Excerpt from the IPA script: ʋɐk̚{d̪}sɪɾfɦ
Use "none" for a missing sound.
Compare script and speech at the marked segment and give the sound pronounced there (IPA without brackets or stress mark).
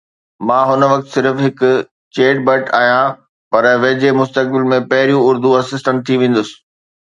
t̪